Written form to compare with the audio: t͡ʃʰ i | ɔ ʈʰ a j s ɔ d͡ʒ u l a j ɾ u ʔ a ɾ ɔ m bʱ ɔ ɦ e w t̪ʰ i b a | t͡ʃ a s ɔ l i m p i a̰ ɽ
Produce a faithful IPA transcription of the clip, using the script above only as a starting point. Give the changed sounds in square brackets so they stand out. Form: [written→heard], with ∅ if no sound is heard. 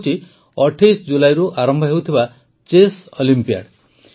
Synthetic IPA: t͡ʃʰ i | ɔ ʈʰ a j s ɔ d͡ʒ u l a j ɾ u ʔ a ɾ ɔ m bʱ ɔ ɦ e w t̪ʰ i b a | t͡ʃ [a→e] s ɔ l i m p i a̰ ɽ